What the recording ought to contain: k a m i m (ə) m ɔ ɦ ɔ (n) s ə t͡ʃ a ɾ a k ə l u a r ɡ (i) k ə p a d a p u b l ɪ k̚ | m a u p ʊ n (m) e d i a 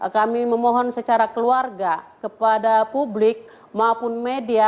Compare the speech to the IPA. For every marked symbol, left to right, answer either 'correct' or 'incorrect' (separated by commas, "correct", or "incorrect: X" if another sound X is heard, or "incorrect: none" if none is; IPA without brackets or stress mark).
correct, correct, incorrect: a, correct